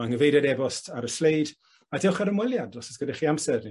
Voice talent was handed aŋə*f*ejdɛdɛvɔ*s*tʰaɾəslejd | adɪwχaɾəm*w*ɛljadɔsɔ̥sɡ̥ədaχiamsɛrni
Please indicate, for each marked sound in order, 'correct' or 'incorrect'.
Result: incorrect: v, correct, correct

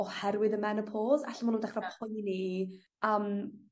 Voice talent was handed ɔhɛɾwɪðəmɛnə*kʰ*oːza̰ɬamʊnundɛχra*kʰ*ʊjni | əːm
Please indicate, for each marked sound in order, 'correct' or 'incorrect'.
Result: incorrect: pʰ, incorrect: pʰ

